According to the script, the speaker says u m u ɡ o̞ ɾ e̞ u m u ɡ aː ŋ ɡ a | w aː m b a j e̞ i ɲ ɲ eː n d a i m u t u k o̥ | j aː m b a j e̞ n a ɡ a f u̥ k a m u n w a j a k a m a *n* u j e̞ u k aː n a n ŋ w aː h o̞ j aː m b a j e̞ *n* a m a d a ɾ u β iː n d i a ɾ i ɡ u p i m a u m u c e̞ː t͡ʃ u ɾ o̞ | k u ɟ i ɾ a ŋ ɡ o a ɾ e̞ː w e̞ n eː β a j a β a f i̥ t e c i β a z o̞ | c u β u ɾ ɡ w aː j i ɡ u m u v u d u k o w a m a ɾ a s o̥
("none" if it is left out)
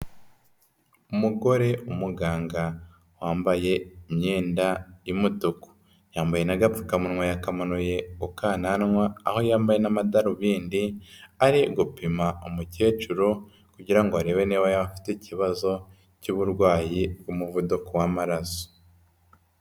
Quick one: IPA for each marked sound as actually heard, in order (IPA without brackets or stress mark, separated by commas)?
n, n